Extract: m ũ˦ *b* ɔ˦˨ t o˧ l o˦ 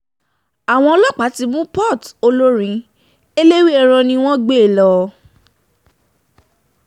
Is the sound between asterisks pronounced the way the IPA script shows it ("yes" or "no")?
no